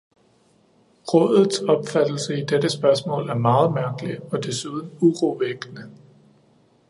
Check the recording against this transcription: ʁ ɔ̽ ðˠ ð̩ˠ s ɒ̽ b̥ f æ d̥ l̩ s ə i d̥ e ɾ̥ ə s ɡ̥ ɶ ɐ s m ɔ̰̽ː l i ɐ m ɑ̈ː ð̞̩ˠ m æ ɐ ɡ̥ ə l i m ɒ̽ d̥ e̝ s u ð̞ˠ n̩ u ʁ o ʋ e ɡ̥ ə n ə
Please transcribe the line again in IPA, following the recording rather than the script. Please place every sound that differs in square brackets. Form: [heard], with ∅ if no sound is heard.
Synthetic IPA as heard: ʁ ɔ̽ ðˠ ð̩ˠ s ɒ̽ b̥ f æ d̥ l̩ s ə i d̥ e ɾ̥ ə s [b̥] ɶ ɐ s m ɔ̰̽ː l [æ] ɐ m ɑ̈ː ð̞̩ˠ m æ ɐ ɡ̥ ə l i [∅] ɒ̽ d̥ e̝ s u ð̞ˠ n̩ u ʁ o ʋ e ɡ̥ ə n ə